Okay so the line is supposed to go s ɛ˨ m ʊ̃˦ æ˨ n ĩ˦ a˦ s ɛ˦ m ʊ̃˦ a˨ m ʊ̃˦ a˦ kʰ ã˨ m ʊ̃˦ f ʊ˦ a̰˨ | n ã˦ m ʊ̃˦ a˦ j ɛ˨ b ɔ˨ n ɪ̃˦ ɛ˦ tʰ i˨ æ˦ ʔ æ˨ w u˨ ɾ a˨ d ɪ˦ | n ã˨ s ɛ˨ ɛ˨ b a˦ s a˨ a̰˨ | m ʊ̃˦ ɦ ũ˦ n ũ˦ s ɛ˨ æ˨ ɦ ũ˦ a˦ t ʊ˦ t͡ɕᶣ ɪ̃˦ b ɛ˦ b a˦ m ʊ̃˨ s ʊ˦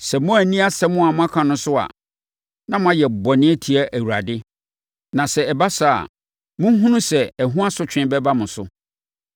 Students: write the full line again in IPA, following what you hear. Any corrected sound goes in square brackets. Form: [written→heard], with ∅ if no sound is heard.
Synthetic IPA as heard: s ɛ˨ m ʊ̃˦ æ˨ n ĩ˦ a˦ s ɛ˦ m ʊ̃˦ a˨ m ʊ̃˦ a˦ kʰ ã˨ [m→n] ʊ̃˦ [f→s] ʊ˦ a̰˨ | n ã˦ m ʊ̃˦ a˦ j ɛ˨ b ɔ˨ n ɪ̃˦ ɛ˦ tʰ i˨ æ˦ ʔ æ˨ w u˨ ɾ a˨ d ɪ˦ | n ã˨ s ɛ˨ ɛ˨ b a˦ s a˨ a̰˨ | m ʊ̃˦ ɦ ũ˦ n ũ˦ s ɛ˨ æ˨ ɦ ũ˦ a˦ [t→s] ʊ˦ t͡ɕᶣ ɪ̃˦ b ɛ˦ b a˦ m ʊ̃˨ s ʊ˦